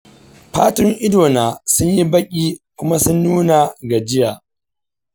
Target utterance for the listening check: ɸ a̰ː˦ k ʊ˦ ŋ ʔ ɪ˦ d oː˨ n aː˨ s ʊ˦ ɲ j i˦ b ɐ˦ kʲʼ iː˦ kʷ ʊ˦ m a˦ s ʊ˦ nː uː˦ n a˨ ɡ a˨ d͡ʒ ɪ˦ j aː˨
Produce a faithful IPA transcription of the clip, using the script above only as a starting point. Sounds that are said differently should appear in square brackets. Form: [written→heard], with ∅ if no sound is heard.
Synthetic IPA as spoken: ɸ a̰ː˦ [k→t] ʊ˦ ŋ ʔ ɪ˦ d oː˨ n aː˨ s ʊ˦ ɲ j i˦ b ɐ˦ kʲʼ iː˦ kʷ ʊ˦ m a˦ s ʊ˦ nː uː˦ n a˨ ɡ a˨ d͡ʒ ɪ˦ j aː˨